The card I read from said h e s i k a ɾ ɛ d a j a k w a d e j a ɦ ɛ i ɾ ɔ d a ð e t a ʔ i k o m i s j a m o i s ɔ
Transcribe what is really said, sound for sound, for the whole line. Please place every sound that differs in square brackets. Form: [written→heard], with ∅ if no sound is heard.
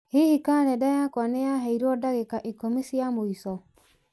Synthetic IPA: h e [s→h] i k a ɾ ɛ d a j a k w a [d→n] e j a ɦ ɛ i ɾ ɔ d a [ð→ɣ] e [t→k] a ʔ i k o m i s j a m o i s ɔ